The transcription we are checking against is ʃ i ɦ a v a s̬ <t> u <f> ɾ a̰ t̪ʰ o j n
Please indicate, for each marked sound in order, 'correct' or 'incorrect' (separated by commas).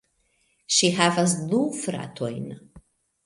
incorrect, correct